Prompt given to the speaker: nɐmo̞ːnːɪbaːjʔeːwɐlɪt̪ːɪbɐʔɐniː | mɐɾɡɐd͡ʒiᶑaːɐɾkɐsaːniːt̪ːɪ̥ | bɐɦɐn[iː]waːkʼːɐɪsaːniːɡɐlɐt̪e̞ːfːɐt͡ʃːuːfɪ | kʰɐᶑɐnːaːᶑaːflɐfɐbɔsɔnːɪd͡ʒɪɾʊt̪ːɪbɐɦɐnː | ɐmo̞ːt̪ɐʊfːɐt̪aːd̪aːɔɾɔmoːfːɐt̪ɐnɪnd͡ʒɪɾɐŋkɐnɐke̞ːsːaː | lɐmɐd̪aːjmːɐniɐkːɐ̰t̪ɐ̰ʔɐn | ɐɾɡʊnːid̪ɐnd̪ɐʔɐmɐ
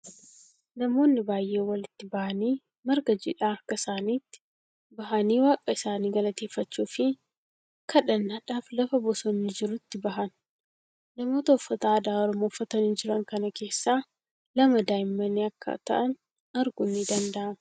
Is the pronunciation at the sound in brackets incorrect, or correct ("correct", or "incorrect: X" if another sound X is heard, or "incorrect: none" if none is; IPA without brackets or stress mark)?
correct